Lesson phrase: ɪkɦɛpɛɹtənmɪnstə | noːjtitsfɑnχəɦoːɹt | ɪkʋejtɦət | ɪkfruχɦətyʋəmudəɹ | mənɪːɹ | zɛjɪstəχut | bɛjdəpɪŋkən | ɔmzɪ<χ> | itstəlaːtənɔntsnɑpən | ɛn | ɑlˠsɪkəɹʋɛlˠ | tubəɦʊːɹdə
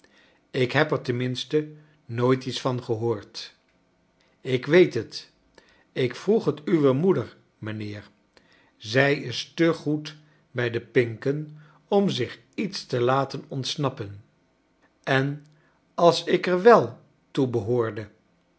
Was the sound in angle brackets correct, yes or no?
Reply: yes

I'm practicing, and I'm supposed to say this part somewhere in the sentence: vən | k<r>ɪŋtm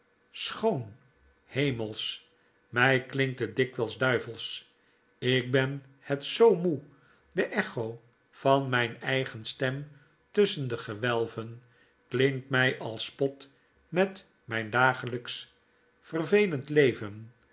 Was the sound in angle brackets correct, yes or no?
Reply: no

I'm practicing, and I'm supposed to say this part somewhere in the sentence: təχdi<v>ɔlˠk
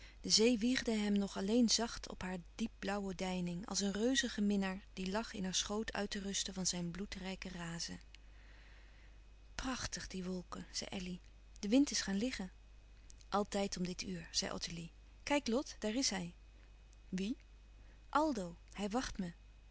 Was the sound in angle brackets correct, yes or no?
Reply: no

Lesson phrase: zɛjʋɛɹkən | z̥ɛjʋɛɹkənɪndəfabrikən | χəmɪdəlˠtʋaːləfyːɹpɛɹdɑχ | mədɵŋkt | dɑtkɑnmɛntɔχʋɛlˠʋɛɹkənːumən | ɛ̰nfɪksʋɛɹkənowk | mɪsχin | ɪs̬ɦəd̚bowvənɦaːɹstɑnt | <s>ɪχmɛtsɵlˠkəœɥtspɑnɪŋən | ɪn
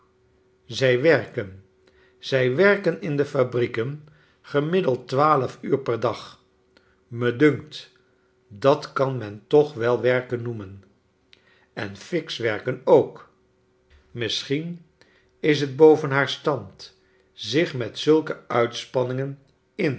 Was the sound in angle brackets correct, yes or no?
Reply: no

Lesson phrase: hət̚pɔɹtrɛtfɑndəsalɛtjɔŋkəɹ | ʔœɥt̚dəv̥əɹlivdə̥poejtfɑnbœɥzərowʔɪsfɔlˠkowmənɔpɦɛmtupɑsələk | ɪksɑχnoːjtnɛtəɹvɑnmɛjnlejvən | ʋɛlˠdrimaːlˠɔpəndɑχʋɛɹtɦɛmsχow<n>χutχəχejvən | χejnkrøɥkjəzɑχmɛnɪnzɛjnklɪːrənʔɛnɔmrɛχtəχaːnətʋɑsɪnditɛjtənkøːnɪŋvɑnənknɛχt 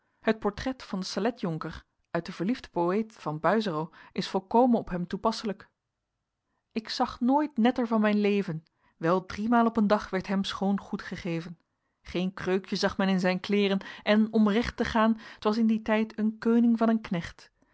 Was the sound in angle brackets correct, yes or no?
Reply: yes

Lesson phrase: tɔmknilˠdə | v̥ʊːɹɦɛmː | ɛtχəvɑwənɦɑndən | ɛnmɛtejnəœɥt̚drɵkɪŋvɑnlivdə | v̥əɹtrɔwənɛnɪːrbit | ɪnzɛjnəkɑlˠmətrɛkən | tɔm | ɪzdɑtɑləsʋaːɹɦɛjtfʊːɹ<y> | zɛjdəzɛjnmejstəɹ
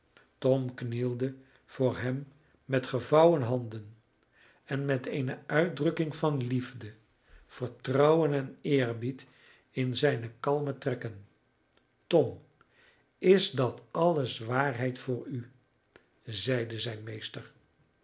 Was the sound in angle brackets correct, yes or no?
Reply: yes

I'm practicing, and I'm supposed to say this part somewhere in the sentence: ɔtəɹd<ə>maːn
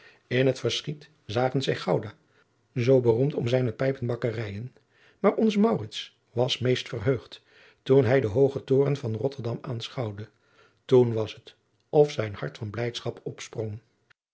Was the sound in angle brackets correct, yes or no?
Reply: no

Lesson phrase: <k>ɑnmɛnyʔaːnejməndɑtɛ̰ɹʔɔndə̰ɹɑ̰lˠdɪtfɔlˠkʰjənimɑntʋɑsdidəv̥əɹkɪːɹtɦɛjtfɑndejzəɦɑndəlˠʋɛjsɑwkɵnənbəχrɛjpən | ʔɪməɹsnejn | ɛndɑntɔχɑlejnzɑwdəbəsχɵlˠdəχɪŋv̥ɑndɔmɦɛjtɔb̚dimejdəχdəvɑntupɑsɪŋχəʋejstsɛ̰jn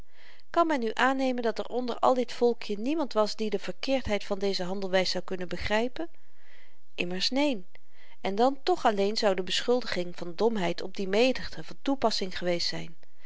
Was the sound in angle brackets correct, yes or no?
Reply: yes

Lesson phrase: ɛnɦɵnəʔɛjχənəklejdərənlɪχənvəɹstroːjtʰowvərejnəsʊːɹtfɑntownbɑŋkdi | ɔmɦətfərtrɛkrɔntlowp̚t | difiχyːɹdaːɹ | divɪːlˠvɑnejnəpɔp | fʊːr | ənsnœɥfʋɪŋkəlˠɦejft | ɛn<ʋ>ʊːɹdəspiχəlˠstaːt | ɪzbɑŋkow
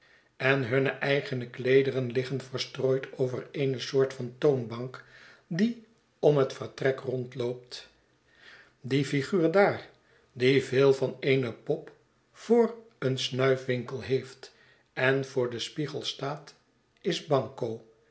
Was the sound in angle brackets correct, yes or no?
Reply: no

